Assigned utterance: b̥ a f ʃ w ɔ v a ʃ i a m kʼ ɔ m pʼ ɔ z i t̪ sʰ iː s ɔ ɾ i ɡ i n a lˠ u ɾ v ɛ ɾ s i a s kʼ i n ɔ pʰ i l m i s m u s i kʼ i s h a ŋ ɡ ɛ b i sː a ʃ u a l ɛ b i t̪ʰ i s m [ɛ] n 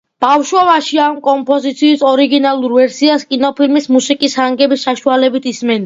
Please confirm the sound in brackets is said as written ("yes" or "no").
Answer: yes